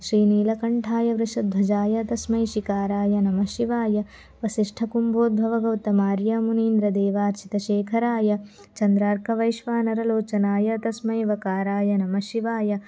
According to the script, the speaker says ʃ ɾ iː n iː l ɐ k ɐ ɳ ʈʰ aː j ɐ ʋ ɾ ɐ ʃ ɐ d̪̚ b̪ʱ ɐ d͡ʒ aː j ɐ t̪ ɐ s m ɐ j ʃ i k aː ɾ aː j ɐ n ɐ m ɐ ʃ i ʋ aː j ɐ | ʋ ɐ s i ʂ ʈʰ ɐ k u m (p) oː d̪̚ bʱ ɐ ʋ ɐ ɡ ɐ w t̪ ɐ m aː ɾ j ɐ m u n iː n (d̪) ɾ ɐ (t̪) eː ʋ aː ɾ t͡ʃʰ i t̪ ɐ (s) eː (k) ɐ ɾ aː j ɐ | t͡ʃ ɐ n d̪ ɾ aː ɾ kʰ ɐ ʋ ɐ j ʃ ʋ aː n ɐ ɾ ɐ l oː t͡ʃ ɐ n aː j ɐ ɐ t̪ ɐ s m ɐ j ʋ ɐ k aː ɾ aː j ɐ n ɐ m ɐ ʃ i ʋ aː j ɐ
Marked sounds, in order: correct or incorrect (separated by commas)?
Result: incorrect, correct, incorrect, incorrect, incorrect